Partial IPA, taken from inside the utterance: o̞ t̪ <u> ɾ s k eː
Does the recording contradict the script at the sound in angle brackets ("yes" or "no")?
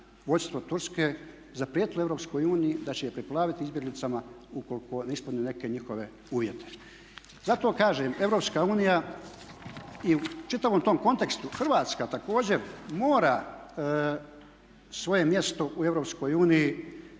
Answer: no